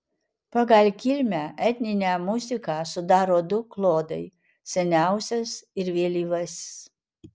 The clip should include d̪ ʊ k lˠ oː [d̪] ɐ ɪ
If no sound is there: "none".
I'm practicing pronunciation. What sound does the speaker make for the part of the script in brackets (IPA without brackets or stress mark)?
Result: d̪